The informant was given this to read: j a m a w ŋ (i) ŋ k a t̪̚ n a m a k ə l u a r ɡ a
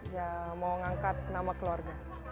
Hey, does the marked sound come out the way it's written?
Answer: no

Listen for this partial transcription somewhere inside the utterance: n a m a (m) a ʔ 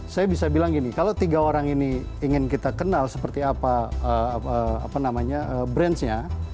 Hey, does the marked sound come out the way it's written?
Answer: no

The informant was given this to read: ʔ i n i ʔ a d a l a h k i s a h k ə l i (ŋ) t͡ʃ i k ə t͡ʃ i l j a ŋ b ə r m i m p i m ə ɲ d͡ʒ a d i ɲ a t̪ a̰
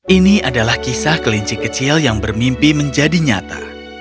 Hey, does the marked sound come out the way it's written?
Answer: no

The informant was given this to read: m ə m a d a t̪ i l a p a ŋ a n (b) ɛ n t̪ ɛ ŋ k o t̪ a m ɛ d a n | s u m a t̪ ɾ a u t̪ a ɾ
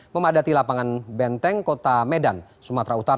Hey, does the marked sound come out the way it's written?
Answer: yes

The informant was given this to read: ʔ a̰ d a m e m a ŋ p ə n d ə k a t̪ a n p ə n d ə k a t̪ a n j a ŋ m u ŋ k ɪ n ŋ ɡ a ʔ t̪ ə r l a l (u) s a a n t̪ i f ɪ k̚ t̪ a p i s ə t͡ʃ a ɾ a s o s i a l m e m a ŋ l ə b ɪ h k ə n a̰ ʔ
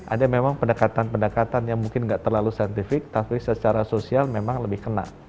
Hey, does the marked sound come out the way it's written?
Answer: yes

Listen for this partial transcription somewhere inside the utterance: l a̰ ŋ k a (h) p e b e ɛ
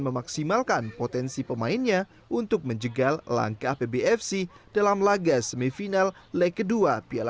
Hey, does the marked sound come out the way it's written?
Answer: yes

